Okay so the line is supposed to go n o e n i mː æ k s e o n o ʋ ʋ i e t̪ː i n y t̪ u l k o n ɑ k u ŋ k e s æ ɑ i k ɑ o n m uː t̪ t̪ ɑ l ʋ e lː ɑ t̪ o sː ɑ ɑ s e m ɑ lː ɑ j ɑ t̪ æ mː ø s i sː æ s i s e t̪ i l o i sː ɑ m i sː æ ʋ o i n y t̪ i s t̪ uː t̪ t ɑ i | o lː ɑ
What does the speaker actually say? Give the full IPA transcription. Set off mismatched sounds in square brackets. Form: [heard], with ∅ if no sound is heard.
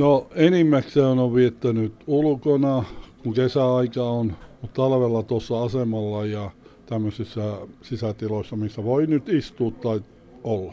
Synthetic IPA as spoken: n o e n i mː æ k s e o n o ʋ ʋ i e t̪ː [æ] n y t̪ u l k o n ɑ k u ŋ k e s æ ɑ i k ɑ o n m [u] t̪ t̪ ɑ l ʋ e lː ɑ t̪ o sː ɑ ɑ s e m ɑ lː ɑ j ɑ t̪ æ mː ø s i sː æ s i s [æ] t̪ i l o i sː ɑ m i sː æ ʋ o i n y t̪ i s t̪ uː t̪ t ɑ i | o lː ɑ